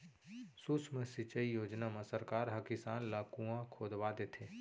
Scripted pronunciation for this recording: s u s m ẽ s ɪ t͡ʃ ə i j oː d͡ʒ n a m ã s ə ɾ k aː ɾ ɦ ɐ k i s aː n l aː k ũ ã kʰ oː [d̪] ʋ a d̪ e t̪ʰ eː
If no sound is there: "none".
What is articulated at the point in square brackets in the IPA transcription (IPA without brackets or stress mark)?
d̪